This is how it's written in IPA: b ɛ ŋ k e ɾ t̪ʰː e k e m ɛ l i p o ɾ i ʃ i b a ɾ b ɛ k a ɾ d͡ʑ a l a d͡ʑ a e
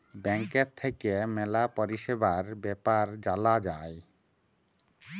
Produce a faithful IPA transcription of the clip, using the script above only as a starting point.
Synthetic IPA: b ɛ ŋ k e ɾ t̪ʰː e k e m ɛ l a p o ɾ i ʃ e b a ɾ b ɛ p a ɾ d͡ʑ a l a d͡ʑ a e